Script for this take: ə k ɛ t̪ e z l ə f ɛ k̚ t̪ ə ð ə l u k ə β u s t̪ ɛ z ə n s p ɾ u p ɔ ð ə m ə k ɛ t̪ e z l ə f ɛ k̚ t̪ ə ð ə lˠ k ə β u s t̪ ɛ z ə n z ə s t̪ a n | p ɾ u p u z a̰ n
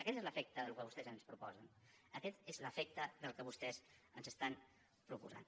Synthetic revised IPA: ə k ɛ t̪ e z l ə f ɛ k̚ t̪ ə ð ə l u k ə β u s t̪ ɛ z ə n s p ɾ u p ɔ z ə n ə k ɛ t̪ e z l ə f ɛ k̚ t̪ ə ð ə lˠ k ə β u s t̪ ɛ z ə n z ə s t̪ a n | p ɾ u p u z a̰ n